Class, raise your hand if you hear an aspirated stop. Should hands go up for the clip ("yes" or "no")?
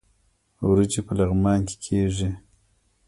yes